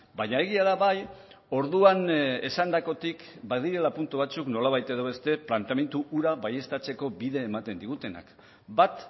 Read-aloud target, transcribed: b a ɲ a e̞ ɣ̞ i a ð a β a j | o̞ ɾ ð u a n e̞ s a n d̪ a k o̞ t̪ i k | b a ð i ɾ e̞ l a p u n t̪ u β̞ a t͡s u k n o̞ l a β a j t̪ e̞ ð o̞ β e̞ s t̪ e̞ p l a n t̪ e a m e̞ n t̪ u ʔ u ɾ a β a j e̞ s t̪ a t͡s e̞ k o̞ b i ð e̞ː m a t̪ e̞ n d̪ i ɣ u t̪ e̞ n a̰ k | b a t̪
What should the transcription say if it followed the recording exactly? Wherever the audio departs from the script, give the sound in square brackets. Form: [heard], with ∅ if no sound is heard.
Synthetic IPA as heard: b a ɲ a e̞ ɣ̞ i a ð a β a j | o̞ ɾ ð u a n e̞ s a n d̪ a k o̞ t̪ i k | b a ð i ɾ e̞ l a p u n t̪ u β̞ a t͡s u k n o̞ l a β a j t̪ e̞ ð o̞ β e̞ s t̪ e̞ p l a n t̪ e a m e̞ n t̪ u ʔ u ɾ a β a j e̞ s t̪ a t͡s e̞ k o̞ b i ð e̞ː m a t̪ e̞ n d̪ i ɣ u t̪ e̞ n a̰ k | b a t̪